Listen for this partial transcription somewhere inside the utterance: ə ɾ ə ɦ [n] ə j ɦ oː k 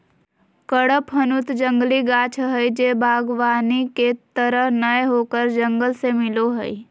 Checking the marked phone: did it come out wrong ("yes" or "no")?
no